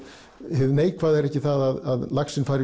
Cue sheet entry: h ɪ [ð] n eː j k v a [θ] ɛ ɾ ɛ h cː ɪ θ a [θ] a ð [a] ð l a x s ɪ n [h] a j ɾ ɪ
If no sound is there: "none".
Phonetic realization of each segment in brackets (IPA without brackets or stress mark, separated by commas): ð, ð, ð, a, f